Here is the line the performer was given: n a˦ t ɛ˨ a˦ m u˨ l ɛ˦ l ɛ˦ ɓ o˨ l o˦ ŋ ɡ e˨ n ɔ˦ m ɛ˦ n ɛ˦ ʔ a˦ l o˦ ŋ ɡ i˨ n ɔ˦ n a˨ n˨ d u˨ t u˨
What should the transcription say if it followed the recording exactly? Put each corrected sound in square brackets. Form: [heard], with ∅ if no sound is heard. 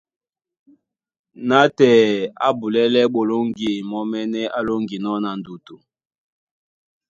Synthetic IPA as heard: n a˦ t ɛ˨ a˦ [b] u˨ l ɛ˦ l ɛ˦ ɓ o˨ l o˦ ŋ ɡ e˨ [m] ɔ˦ m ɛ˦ n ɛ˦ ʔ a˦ l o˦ ŋ ɡ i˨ n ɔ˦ n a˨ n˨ d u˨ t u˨

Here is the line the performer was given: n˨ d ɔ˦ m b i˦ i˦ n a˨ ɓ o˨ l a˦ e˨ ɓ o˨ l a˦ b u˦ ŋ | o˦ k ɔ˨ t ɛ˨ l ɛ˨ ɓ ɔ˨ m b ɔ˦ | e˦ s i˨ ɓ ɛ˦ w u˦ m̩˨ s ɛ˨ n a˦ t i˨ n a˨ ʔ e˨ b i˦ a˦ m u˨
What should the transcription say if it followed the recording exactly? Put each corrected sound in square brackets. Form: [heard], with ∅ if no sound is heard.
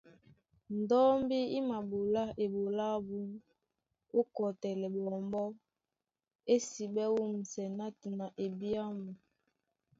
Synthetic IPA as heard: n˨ d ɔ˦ m b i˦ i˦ [m] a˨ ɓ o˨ l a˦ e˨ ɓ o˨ l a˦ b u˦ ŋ | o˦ k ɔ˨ t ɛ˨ l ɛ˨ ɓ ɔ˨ m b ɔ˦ | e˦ s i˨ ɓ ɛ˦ w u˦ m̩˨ s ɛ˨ n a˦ t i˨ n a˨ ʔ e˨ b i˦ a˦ m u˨

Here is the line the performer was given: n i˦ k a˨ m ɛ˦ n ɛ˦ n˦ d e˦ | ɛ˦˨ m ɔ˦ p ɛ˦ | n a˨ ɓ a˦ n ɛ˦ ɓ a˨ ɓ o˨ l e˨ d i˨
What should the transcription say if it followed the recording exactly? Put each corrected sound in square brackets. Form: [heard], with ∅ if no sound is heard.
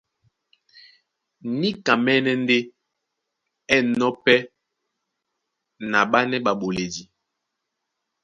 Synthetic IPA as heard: n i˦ k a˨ m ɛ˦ n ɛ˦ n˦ d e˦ | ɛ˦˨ [n] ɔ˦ p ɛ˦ | n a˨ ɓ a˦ n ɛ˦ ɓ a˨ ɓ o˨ l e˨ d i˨

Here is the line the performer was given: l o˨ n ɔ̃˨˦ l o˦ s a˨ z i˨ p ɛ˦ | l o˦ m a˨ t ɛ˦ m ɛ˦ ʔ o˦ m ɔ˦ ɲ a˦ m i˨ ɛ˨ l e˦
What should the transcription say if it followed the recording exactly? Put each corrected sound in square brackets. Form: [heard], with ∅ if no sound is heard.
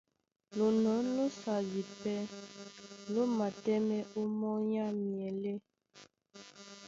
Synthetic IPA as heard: l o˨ n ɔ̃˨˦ l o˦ s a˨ z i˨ p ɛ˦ | l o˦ m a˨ t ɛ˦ m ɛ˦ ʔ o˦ m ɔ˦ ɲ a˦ m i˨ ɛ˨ l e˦

